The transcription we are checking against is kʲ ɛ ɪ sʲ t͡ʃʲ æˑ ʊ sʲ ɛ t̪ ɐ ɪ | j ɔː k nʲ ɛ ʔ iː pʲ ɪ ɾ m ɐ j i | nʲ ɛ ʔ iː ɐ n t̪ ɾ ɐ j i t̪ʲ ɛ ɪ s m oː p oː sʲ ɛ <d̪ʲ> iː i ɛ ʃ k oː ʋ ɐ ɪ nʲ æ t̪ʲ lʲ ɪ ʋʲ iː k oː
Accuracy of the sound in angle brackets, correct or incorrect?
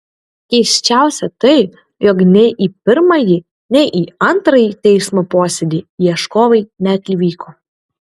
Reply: correct